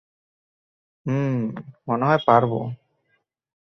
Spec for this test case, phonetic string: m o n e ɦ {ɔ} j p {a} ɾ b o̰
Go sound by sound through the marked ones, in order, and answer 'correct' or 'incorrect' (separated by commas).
correct, correct